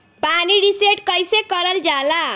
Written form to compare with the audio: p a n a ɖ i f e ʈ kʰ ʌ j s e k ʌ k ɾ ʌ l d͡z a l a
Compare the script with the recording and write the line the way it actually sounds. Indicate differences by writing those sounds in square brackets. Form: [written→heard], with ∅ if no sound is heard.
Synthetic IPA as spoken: p a n [a→i] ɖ i [f→s] e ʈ [kʰ→k] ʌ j s e k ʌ [k→∅] ɾ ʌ l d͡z a l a